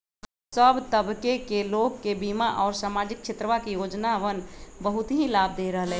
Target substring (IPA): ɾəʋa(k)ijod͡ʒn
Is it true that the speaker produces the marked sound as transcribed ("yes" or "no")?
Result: yes